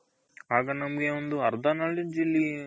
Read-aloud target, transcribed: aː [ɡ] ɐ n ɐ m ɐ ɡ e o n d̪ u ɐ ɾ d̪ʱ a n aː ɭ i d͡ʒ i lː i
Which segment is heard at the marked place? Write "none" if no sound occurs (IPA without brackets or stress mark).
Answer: ɡ